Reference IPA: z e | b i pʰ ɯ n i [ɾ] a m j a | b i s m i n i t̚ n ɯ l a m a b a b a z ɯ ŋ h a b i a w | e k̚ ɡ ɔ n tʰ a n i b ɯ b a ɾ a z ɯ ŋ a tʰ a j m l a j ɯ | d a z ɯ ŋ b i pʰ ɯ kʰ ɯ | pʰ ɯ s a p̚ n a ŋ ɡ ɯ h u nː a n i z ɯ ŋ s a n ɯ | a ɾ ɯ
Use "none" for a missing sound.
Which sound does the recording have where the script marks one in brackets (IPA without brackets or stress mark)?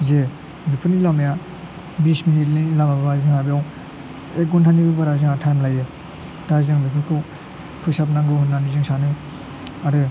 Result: l